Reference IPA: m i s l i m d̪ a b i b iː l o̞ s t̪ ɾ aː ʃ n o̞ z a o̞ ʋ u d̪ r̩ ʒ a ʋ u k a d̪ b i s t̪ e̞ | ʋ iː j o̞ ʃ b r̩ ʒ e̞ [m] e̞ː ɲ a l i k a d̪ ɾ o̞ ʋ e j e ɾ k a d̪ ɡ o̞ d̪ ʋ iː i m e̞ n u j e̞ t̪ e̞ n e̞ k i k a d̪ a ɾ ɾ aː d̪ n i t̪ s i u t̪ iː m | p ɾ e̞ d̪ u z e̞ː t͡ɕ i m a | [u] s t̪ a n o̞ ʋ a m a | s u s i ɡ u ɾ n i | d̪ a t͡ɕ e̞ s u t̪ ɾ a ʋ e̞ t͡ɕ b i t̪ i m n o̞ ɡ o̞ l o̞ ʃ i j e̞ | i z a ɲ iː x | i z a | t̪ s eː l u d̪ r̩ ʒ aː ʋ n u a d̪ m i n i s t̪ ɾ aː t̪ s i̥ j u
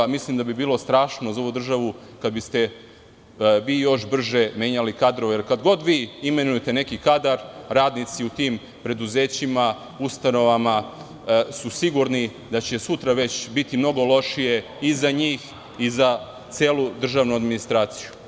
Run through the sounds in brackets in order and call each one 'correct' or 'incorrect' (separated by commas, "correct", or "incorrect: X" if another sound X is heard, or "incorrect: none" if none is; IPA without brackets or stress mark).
correct, correct